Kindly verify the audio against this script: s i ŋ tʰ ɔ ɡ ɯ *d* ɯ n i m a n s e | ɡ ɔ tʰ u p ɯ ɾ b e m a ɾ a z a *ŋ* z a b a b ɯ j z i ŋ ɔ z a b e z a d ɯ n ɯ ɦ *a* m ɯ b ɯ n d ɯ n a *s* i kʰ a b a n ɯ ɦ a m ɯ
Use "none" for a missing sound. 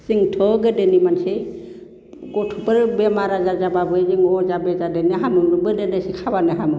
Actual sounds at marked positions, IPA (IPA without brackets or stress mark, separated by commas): d, none, a, s